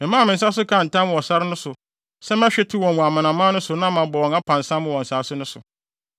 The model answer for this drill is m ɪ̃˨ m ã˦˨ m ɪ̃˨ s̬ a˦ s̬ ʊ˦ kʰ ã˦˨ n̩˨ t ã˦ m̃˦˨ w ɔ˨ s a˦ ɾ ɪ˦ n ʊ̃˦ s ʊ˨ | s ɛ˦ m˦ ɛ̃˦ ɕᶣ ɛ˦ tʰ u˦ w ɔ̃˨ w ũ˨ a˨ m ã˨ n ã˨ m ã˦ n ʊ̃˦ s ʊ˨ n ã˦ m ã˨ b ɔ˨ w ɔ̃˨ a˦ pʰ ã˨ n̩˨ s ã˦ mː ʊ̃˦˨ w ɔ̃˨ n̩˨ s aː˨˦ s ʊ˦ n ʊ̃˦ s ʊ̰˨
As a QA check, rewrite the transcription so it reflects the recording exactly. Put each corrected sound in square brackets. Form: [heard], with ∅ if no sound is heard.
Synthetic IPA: m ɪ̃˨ m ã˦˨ m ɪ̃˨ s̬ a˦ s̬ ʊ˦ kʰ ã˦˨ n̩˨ t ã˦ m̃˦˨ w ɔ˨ s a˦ ɾ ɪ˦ n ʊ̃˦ s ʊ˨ | s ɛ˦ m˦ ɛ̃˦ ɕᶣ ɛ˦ tʰ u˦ w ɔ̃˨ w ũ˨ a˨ m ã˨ n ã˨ m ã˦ n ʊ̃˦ s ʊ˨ n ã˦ m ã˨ b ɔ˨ w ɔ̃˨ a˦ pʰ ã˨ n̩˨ s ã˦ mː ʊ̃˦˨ w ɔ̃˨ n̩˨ s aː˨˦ s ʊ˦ n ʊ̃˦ s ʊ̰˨